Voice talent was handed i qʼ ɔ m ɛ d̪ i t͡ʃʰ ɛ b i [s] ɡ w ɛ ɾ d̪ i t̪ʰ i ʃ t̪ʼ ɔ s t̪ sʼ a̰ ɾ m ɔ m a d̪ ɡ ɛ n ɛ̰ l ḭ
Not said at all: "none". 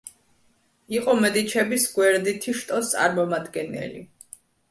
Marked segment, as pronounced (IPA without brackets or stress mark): s